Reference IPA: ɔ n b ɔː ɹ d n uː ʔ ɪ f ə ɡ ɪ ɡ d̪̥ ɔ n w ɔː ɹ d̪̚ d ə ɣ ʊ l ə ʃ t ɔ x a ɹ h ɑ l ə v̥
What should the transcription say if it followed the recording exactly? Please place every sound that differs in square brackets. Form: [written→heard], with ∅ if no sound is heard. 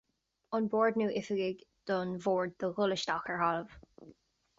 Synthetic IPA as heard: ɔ n b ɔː ɹ d n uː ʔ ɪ f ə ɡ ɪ ɡ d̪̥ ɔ n [w→v] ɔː ɹ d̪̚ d ə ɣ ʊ l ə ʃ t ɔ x [a→ə] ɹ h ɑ l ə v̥